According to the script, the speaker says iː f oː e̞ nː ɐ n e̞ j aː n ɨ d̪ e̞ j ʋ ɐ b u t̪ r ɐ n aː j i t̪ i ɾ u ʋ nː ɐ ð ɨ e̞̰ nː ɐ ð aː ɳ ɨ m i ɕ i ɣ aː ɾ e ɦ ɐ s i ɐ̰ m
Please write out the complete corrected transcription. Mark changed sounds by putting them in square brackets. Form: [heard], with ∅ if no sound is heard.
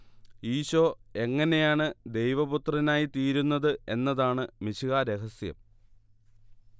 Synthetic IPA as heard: iː [ɕ] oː e̞ [ŋː] ɐ n e̞ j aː [ɳ] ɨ d̪ e̞ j ʋ ɐ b u t̪ r ɐ n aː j i t̪ [iː] ɾ u [∅] nː ɐ ð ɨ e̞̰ nː ɐ ð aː ɳ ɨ m i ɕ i ɣ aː ɾ e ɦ ɐ s [j] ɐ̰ m